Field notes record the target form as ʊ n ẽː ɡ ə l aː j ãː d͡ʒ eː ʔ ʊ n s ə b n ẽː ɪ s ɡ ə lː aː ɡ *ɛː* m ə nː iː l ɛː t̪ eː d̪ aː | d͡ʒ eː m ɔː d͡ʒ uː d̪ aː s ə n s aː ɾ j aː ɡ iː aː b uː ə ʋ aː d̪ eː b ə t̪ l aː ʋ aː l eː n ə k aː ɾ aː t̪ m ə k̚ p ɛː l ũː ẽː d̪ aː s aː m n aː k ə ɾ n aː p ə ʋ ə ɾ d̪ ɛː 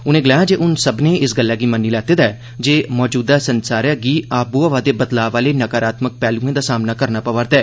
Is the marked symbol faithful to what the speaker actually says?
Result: no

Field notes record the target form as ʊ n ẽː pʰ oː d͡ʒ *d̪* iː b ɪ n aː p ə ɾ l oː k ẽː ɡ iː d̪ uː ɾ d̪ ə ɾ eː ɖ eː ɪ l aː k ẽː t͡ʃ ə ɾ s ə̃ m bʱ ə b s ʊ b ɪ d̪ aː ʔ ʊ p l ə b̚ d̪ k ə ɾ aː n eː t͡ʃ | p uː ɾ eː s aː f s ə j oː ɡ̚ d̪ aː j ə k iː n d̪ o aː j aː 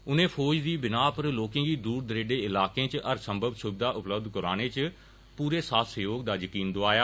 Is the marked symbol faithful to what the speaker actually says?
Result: yes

